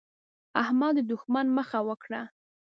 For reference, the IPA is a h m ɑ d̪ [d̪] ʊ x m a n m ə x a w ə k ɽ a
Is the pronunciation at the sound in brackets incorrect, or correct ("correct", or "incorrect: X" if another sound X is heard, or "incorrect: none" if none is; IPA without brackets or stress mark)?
correct